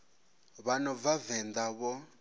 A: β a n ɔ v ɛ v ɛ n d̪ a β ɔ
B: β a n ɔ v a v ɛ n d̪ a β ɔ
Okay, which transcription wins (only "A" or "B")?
B